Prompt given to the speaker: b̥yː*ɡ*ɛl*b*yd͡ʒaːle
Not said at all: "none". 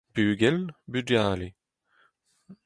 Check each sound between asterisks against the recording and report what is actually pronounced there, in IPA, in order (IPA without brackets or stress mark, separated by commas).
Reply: ɡ, b